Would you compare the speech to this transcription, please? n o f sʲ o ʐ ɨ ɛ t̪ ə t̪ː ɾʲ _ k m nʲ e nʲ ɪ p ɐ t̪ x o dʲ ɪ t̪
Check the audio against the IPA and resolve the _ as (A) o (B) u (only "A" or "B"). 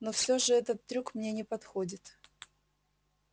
B